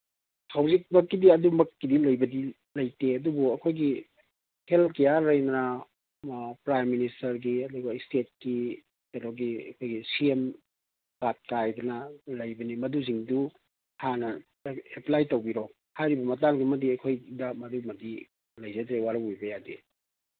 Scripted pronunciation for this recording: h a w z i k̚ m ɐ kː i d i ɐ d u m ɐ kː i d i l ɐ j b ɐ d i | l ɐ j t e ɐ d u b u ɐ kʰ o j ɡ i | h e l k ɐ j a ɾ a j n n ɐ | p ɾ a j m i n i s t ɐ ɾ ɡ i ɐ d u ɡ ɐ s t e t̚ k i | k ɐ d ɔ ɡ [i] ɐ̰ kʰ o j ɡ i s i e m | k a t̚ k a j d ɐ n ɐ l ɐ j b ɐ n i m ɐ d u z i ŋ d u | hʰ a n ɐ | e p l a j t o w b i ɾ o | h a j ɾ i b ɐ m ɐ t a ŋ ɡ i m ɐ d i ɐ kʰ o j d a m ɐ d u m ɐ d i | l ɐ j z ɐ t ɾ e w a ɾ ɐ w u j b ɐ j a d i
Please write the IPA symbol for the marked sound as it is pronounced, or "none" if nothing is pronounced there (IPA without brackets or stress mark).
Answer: i